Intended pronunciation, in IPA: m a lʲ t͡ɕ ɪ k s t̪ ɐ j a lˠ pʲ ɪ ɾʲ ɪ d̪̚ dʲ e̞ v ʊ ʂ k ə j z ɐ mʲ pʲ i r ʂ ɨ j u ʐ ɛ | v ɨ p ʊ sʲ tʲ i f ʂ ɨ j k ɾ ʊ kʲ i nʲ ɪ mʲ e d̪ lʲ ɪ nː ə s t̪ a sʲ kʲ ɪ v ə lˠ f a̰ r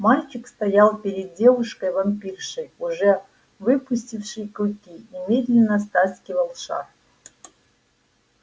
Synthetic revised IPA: m a lʲ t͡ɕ ɪ k s t̪ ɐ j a lˠ pʲ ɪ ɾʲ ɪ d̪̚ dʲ e̞ v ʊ ʂ k ə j v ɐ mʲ pʲ i r ʂ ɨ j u ʐ ɛ | v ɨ p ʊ sʲ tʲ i f ʂ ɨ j k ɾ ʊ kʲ i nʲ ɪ mʲ e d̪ lʲ ɪ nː ə s t̪ a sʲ kʲ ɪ v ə lˠ ʂ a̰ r